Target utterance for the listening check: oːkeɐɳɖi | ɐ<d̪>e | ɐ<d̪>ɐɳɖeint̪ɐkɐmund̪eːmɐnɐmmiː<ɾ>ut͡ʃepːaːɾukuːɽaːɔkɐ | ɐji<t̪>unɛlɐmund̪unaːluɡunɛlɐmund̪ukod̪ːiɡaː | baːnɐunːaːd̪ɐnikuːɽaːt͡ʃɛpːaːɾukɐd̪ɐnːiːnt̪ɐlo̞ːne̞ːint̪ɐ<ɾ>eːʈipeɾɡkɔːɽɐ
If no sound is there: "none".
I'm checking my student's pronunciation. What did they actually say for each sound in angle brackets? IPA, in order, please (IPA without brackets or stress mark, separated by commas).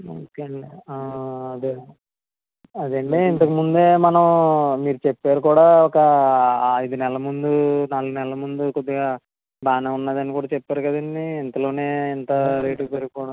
d̪, d̪, ɾ, d̪, ɾ